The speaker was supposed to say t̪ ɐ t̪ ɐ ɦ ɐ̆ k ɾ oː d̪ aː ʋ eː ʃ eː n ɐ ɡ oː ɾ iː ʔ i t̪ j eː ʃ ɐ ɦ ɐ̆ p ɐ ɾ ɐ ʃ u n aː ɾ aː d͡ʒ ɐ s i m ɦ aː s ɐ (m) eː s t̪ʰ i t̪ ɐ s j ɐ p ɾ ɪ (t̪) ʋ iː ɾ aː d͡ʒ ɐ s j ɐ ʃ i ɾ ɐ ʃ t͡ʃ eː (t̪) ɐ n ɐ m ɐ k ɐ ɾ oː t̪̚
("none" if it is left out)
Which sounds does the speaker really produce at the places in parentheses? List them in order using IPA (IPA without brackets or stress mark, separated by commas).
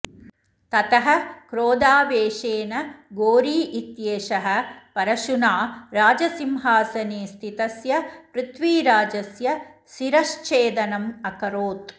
n, t̪, d̪